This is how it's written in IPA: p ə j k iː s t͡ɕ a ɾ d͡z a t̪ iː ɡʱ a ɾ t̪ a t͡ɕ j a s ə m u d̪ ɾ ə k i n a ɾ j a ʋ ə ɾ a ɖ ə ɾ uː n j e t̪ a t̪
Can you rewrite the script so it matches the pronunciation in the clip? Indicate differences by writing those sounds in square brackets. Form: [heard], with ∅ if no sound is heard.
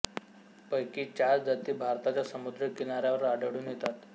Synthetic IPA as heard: p ə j k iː [∅] t͡ɕ a ɾ d͡z a t̪ iː [bʱ] a ɾ t̪ a t͡ɕ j a s ə m u d̪ ɾ ə k i n a ɾ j a ʋ ə ɾ a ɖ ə [ɽ] uː n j e t̪ a t̪